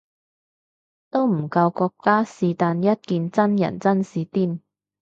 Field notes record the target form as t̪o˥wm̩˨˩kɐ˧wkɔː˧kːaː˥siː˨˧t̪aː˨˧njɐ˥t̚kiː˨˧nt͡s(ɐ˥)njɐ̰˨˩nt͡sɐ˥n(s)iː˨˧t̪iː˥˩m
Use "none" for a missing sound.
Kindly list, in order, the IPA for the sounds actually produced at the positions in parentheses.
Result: ɐ˥, s

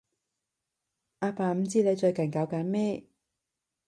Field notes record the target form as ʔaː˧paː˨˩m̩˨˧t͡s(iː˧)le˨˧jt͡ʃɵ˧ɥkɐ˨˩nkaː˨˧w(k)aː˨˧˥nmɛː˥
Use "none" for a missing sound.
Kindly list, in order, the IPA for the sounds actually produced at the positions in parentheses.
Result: iː˥, k

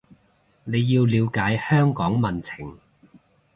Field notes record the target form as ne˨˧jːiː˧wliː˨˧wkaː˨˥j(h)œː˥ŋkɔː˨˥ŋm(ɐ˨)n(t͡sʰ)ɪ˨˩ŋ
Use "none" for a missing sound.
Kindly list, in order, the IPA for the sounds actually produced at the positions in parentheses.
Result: h, ɐ˨, t͡sʰ

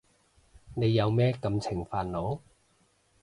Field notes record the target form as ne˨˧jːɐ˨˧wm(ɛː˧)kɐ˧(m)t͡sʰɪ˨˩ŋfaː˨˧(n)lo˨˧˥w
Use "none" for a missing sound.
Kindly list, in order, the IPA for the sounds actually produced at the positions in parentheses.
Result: ɛː˥, m, n

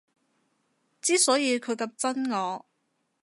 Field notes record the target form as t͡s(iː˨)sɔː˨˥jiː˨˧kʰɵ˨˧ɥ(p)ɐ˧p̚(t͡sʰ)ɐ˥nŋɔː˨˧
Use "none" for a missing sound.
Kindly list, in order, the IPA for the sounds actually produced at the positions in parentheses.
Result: iː˥, k, t͡s

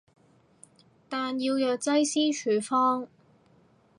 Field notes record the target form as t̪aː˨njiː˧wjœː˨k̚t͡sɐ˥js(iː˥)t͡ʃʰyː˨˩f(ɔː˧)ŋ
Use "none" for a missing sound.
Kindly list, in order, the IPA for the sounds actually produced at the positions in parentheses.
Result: iː˥, ɔː˥

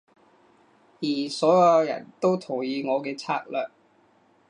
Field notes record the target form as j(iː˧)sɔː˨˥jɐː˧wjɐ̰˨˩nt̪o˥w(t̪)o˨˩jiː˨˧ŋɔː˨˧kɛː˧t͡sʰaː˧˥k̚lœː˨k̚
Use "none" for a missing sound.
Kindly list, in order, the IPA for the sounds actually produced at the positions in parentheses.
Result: iː˨˩, t̪ʰ

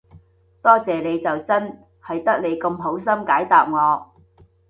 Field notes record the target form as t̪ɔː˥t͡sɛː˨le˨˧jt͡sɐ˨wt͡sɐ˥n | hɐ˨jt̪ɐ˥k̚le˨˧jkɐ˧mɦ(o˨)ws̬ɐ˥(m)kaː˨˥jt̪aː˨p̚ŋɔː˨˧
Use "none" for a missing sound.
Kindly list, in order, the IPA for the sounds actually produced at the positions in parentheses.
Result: o˨˥, m

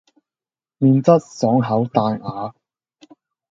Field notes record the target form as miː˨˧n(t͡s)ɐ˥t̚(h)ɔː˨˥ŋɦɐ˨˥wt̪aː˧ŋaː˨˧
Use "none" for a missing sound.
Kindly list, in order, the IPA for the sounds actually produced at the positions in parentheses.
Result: t͡s, s

